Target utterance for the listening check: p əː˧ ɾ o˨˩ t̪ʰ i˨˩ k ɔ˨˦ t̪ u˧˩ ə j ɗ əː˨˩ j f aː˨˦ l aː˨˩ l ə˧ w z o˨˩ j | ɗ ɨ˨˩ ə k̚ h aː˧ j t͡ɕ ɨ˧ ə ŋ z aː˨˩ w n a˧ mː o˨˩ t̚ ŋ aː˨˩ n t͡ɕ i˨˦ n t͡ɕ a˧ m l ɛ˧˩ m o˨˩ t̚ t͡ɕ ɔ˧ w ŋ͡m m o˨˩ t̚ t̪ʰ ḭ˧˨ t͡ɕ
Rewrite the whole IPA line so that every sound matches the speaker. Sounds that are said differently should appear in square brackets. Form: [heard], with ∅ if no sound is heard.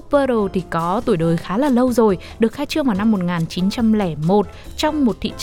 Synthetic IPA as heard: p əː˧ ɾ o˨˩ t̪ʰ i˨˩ k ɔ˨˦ t̪ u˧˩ ə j ɗ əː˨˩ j [x] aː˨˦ l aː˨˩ l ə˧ w z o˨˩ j | ɗ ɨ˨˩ ə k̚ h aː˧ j t͡ɕ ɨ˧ ə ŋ [v] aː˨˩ w n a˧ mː o˨˩ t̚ ŋ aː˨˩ n t͡ɕ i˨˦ n t͡ɕ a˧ m l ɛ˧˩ m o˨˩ t̚ t͡ɕ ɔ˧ w ŋ͡m m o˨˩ t̚ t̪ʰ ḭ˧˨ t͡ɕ